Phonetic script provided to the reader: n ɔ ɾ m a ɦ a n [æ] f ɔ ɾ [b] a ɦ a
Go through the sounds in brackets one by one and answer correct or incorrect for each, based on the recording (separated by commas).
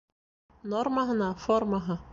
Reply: incorrect, incorrect